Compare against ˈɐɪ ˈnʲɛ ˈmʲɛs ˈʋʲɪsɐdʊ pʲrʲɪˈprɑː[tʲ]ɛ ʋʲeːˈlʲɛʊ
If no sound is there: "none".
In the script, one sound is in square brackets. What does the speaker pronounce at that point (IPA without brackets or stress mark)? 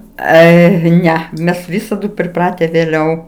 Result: tʲ